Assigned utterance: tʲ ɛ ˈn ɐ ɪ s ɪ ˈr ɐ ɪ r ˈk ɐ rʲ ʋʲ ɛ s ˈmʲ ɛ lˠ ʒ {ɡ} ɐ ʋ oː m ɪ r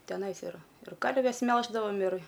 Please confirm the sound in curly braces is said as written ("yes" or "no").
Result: no